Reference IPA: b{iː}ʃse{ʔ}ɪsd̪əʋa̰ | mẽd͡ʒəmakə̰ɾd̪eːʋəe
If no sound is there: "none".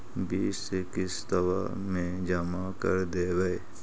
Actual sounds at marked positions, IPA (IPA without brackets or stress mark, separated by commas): iː, k